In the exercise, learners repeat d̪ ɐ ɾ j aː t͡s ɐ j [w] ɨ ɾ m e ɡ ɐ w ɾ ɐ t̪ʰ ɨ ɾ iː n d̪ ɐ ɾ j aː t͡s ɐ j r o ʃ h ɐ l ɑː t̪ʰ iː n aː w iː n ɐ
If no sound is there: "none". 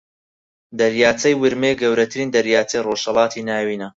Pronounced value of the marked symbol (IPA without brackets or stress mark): w